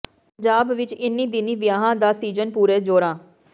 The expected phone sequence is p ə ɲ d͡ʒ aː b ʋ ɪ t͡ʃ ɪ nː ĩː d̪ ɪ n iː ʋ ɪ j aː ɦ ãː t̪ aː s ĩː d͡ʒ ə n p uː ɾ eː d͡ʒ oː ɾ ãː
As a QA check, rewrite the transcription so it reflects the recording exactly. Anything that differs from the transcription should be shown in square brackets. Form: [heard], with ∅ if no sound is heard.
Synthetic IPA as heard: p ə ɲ d͡ʒ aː b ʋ ɪ t͡ʃ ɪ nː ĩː d̪ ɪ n iː ʋ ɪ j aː ɦ ãː [d̪] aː s [iː] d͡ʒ ə n p uː ɾ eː d͡ʒ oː ɾ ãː